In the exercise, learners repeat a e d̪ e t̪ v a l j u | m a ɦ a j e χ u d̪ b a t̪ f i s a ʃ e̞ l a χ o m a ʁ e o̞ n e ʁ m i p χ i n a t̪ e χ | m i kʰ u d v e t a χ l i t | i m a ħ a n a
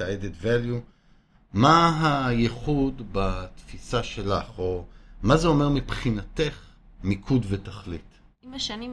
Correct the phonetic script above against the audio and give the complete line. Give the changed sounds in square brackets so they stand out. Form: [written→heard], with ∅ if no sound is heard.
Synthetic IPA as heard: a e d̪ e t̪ v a l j u | m a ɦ a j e χ u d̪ b a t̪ f i s a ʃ e̞ l a χ o m a [ʁ→z] e o̞ [n→m] e ʁ m i p χ i n a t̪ e χ | m i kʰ u d v e t a χ l i t | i m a [ħ→ʃ] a n [a→i]